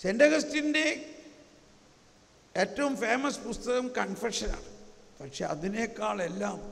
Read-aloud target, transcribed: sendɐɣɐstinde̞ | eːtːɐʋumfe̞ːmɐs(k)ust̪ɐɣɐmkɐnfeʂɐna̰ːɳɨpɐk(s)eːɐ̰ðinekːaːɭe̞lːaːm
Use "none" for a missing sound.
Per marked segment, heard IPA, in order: p, ʂ

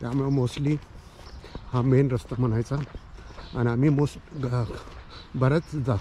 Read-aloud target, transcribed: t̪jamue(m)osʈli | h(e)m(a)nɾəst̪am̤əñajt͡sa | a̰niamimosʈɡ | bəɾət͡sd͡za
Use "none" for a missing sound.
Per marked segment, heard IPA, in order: m, a, e

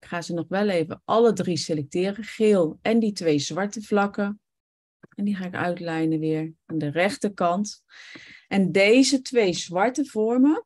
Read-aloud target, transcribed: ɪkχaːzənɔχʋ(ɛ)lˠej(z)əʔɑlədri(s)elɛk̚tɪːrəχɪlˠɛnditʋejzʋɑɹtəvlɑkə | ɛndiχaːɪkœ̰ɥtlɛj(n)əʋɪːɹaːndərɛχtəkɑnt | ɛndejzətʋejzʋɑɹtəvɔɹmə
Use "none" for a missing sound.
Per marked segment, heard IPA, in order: ɛ, v, s, n

